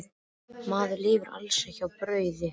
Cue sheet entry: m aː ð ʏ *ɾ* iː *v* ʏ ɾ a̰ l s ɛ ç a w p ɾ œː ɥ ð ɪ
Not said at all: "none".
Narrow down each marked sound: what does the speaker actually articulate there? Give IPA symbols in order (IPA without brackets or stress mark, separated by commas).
l, v